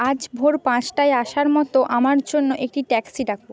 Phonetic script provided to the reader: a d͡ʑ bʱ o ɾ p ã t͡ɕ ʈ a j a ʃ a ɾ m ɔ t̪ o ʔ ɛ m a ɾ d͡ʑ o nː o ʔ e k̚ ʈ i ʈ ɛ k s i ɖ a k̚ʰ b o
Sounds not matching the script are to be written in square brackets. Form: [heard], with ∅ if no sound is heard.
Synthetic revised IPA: a d͡ʑ bʱ o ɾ p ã t͡ɕ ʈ a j a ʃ a ɾ m ɔ t̪ o ʔ [a] m a ɾ d͡ʑ o nː o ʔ e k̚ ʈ i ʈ ɛ k s i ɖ a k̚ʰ b o